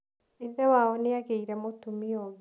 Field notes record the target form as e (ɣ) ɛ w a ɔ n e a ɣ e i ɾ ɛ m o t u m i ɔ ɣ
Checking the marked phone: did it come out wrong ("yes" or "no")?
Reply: yes